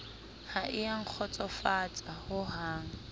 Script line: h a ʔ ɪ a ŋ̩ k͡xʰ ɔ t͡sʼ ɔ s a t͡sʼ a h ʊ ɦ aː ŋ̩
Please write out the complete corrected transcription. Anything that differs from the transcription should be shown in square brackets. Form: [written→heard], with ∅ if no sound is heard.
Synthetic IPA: h a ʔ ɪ a ŋ̩ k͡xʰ ɔ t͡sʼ ɔ [s→f] a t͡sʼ a h ʊ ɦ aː ŋ̩